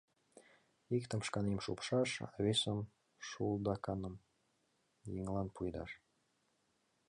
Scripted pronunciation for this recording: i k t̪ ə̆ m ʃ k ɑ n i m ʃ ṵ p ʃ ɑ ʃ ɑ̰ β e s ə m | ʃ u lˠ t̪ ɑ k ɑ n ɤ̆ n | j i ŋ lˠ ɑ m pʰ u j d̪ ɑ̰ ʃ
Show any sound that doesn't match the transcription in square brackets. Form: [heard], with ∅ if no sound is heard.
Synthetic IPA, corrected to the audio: i k t̪ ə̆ m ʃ k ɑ n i m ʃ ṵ p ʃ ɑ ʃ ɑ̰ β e s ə m | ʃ u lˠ [d̪] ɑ k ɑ n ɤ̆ [m] | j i ŋ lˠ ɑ [n] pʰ u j d̪ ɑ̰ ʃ